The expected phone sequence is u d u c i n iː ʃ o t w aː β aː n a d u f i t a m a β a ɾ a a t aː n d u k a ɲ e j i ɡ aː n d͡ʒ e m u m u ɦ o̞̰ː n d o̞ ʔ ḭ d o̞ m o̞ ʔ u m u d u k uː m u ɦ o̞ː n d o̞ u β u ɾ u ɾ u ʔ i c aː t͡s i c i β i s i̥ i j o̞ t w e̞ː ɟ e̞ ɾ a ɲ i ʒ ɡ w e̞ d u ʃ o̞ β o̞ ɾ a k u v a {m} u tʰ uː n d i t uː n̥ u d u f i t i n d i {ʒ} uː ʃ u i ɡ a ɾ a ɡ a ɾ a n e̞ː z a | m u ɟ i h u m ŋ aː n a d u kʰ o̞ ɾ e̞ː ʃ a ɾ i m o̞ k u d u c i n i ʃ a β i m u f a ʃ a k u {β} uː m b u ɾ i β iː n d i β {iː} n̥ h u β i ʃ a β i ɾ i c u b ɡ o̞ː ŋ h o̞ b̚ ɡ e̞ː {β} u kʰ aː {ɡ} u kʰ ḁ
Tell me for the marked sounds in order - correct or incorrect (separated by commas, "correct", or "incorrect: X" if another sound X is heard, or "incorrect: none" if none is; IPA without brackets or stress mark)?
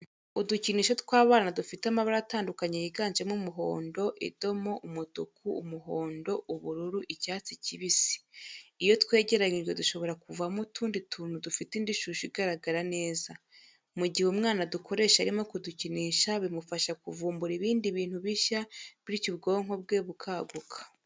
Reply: correct, incorrect: ʃ, incorrect: v, correct, correct, correct